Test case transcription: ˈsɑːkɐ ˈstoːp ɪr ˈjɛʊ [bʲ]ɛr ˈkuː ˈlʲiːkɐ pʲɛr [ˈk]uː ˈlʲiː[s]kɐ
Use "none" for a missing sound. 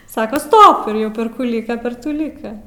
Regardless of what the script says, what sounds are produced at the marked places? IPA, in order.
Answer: pʲ, t, none

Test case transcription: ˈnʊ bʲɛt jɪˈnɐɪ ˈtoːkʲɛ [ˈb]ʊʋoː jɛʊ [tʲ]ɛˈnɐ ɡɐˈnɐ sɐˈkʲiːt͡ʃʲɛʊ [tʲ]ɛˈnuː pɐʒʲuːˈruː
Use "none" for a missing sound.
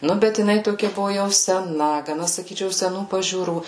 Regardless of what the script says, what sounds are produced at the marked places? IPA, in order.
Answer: b, sʲ, sʲ

